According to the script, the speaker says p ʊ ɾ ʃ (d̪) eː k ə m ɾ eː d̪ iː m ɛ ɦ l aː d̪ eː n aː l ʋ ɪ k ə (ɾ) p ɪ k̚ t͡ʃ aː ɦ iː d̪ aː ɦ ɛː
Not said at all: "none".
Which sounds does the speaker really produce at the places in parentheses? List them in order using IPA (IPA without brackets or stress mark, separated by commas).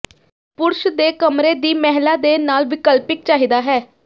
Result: d̪, l